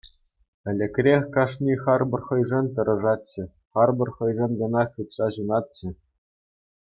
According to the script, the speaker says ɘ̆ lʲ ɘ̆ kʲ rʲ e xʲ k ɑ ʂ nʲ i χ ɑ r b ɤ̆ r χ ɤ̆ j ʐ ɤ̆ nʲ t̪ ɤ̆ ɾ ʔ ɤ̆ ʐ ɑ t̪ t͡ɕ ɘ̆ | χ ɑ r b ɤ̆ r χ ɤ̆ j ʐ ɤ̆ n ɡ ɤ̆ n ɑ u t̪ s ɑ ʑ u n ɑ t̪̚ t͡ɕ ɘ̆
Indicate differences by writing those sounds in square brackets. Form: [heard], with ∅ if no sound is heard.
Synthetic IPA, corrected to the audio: ɘ̆ lʲ ɘ̆ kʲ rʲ e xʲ k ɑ ʂ nʲ i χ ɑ r b ɤ̆ r χ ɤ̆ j ʐ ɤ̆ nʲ t̪ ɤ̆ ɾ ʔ ɤ̆ ʐ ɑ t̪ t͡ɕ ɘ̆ | χ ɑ r b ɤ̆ r χ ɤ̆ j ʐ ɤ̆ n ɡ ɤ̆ n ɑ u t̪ s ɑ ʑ u n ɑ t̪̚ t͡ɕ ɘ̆